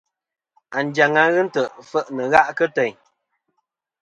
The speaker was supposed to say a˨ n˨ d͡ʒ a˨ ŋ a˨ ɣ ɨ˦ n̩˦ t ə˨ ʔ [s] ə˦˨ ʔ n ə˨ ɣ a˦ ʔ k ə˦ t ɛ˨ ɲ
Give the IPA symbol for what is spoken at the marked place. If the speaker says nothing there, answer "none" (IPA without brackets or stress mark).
f